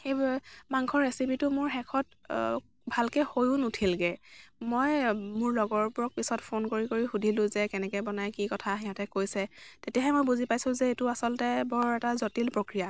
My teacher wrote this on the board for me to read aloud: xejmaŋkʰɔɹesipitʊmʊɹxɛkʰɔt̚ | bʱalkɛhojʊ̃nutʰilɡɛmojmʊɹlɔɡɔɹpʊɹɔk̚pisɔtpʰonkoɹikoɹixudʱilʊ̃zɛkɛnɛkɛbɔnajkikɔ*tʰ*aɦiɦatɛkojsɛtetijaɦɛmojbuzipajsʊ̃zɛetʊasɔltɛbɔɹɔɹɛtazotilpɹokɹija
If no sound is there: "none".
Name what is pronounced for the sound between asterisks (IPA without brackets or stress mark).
tʰ